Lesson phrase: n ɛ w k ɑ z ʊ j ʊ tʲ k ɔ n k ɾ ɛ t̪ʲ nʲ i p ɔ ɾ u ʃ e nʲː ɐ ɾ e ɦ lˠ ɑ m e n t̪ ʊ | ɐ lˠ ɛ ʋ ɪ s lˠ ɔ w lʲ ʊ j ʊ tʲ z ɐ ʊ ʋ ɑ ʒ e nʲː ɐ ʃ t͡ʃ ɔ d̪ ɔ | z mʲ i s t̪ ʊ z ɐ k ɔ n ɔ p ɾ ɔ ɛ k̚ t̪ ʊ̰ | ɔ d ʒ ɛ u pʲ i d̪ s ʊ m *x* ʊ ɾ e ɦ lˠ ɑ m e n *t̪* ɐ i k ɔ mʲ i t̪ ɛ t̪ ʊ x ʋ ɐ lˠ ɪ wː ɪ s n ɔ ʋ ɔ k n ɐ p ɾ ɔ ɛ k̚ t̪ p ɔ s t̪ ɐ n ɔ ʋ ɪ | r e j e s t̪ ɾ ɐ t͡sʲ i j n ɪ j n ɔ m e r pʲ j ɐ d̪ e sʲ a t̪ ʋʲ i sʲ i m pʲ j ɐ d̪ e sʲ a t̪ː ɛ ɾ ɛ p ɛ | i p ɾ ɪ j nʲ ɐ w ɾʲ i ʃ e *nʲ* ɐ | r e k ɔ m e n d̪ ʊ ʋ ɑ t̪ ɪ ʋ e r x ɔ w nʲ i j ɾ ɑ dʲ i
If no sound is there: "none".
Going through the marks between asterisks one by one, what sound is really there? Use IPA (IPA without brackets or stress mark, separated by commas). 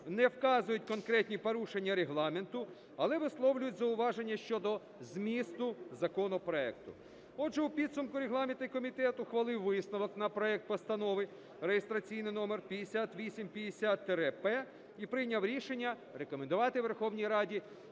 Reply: k, t̪, nʲː